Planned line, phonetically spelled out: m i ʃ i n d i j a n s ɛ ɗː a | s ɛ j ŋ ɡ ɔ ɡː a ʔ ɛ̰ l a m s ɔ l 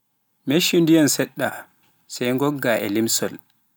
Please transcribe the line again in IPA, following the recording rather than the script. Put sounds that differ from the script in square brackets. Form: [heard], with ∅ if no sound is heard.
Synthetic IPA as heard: m [e] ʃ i n d i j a n s ɛ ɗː a | s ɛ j ŋ ɡ ɔ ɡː a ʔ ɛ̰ l [i] m s ɔ l